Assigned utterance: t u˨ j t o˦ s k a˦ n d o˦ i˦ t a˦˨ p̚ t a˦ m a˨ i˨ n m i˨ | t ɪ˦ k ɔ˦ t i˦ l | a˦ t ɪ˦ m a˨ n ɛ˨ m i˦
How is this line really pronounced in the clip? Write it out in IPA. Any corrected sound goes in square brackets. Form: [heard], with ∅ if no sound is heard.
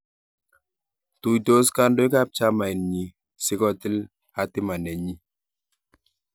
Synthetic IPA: t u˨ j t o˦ s k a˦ n d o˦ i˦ [k] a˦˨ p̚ [t͡ʃ] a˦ m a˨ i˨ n [ɲ] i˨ | [s] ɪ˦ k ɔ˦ t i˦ l | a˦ t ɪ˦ m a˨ n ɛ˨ [ɲ] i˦